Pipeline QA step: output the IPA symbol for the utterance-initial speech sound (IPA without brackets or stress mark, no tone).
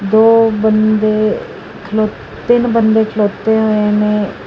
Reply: d̪